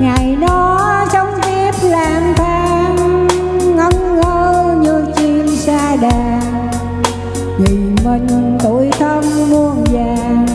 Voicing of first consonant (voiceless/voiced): voiced